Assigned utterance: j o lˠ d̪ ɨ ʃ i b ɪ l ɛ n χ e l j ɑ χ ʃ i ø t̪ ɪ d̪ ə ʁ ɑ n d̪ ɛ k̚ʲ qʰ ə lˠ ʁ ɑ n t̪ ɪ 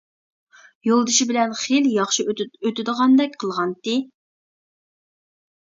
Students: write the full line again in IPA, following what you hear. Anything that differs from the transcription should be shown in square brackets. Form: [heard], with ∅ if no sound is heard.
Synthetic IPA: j o lˠ d̪ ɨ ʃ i b ɪ l ɛ n χ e l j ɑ χ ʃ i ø t̪ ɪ d̪ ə ʁ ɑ n d̪ ɛ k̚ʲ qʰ ə lˠ ʁ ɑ n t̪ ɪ